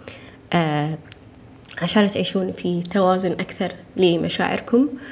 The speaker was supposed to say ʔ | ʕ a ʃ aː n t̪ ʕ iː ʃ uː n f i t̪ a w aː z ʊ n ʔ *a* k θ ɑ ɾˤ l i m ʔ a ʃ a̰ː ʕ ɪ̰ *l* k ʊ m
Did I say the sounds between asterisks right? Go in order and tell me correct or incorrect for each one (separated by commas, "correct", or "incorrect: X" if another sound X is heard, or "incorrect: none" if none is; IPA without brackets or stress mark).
correct, incorrect: ɾ